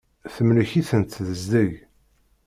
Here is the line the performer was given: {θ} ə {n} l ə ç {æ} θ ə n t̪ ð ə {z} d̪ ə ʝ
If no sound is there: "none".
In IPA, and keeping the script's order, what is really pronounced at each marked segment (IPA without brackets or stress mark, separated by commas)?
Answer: θ, m, i, z